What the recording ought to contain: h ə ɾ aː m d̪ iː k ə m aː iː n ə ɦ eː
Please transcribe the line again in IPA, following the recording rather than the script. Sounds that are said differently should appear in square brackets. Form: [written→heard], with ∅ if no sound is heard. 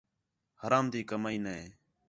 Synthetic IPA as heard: h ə ɾ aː m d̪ iː k ə m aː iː n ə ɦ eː

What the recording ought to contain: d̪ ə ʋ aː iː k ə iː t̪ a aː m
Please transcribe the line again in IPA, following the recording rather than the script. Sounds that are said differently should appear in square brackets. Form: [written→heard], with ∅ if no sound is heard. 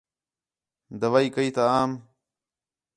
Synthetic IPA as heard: d̪ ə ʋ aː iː k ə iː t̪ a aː m

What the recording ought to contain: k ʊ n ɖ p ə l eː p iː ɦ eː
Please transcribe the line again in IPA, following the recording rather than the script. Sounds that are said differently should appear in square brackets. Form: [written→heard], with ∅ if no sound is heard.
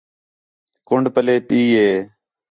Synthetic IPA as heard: k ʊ [n→ɳ] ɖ p ə l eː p iː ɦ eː

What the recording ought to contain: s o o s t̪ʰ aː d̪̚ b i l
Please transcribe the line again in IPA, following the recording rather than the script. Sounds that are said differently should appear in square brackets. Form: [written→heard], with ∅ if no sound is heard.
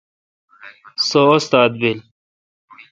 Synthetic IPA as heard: s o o s [t̪ʰ→t̪] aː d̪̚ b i l

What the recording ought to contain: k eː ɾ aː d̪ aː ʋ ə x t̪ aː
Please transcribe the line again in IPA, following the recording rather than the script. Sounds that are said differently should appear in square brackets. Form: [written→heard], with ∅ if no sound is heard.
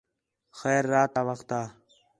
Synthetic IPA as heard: [k→x] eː [ɾ→ɾː] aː [d̪→t̪] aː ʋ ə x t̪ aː

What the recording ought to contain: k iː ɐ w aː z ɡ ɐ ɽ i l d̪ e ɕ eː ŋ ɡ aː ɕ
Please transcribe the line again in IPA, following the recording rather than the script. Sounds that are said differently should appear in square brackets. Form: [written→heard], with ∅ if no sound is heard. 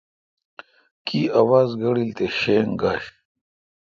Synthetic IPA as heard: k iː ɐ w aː z ɡ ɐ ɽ i l [d̪→t̪] e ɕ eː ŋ ɡ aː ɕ

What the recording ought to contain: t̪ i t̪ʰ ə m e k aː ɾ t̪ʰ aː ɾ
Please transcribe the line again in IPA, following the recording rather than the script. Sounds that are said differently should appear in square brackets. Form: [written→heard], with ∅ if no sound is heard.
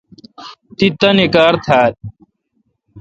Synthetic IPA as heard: t̪ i [t̪ʰ→t̪] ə [m→n] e k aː ɾ t̪ʰ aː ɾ

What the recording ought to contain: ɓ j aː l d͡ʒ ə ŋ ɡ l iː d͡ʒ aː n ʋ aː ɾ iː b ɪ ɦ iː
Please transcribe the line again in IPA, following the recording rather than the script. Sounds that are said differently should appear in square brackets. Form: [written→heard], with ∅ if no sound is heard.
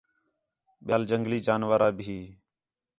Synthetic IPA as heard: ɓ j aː l d͡ʒ ə ŋ ɡ l iː d͡ʒ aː n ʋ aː ɾ [iː→aː] b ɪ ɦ iː

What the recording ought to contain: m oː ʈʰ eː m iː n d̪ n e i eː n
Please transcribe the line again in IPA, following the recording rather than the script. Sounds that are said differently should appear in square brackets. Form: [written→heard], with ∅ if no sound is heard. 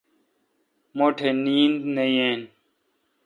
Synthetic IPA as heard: m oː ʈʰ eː [m→n] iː n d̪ n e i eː n

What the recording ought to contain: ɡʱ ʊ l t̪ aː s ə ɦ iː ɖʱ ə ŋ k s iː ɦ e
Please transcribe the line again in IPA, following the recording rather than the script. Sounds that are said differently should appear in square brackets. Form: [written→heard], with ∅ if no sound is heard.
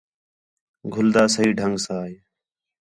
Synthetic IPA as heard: ɡʱ ʊ l [t̪→d̪] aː s ə ɦ iː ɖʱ ə ŋ [k→ɡ] s [iː→aː] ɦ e

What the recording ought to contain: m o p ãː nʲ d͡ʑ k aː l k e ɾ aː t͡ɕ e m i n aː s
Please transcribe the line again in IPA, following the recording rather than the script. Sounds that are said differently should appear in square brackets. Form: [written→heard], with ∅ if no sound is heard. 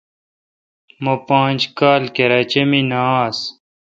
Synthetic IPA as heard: m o p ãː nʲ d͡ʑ k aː l k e ɾ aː t͡ɕ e m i n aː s

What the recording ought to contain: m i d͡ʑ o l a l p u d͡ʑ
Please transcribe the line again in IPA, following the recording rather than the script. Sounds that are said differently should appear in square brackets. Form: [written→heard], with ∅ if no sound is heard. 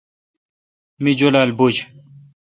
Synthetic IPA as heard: m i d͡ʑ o l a l [p→b] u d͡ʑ

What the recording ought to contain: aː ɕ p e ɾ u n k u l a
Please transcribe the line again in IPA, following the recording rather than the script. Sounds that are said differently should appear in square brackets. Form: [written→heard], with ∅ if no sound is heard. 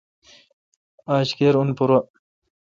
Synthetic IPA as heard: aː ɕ [p→k] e ɾ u n [k→p] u [l→ɾ] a

